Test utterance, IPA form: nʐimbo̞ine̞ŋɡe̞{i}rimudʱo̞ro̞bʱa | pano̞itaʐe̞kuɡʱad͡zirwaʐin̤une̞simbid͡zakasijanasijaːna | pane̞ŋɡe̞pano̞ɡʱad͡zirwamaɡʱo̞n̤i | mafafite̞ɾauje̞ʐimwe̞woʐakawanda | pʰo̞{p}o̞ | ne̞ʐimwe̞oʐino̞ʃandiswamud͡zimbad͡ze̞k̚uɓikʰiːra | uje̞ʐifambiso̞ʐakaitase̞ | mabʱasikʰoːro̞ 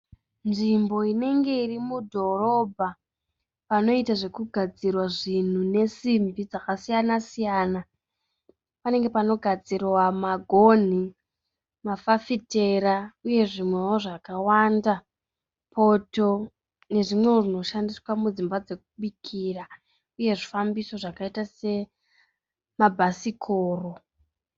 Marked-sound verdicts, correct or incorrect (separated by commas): correct, incorrect